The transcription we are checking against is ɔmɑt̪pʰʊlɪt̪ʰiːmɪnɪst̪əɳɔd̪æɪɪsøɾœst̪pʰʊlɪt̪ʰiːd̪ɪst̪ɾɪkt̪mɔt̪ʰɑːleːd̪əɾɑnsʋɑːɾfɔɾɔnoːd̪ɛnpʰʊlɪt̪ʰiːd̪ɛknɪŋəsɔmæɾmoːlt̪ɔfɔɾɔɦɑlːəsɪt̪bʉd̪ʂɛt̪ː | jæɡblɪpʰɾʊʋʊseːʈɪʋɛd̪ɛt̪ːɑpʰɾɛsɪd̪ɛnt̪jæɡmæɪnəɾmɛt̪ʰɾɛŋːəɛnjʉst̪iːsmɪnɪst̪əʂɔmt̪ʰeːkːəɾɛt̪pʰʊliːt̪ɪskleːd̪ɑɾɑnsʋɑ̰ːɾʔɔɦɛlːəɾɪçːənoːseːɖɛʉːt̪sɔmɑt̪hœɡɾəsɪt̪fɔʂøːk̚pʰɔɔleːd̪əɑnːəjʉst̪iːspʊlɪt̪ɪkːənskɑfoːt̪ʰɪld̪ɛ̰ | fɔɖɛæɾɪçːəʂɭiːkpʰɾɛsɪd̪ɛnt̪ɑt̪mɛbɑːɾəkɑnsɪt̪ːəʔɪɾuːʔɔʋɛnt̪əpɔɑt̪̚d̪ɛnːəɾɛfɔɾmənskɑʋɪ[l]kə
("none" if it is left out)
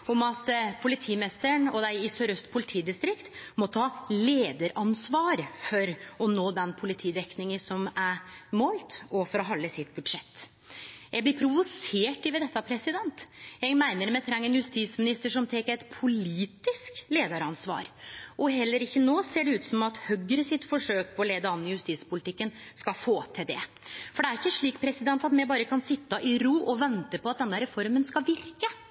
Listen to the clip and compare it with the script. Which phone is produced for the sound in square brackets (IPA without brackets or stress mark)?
ɾ